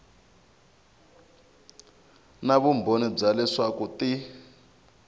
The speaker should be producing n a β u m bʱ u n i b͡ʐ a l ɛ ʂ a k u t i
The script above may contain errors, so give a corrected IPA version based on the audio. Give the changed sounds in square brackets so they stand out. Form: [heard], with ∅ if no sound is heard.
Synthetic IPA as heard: n a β u m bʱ [o] n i b͡ʐ a l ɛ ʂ a k u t i